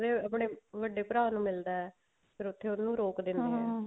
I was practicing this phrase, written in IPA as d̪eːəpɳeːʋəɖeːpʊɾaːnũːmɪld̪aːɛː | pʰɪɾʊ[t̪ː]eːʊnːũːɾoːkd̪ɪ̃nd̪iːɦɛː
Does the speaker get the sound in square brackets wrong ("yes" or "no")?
yes